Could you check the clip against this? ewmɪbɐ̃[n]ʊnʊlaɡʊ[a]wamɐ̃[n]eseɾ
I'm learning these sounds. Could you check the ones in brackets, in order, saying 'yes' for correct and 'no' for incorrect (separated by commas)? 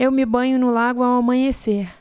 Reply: no, yes, no